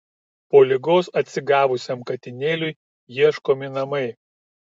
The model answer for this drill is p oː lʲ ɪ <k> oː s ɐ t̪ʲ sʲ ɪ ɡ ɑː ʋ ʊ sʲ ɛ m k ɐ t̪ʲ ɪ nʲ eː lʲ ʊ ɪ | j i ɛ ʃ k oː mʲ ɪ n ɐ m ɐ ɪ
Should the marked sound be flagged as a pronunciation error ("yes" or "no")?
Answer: yes